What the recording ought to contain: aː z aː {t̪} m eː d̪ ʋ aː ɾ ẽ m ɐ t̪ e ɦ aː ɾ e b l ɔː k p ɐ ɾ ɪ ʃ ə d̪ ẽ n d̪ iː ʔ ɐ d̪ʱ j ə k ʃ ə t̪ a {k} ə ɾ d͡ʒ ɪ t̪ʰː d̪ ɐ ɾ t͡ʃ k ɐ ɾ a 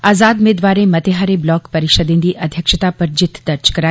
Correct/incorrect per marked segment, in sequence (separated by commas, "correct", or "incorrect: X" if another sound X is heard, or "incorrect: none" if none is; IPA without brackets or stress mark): incorrect: d̪, incorrect: p